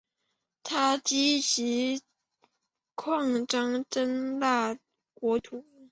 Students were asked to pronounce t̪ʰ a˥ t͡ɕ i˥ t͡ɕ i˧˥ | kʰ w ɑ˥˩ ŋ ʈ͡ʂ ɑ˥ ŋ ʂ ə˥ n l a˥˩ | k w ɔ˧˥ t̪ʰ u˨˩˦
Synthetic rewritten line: t̪ʰ a˥ t͡ɕ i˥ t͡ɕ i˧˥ | kʰ w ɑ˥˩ ŋ ʈ͡ʂ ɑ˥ ŋ ʈ͡ʂ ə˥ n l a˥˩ | k w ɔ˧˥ t̪ʰ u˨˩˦